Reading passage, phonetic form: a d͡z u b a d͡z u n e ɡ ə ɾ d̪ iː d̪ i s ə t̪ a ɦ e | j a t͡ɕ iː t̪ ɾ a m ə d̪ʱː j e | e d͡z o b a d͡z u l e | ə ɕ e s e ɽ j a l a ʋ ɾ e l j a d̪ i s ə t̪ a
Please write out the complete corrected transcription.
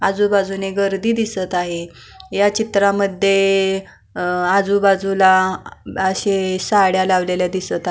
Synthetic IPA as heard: a d͡z u b a d͡z u n e ɡ ə ɾ d̪ iː d̪ i s ə t̪ a ɦ e | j a t͡ɕ i t̪ ɾ a m ə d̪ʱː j e | a d͡z u b a d͡z u l a | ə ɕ e s a ɽ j a l a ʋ l e l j a d̪ i s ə t̪ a